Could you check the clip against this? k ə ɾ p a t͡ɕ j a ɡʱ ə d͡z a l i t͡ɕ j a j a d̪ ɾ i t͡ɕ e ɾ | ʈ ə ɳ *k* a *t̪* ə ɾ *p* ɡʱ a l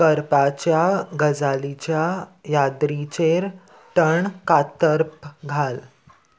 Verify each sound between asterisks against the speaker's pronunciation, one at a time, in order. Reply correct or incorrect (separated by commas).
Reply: correct, correct, correct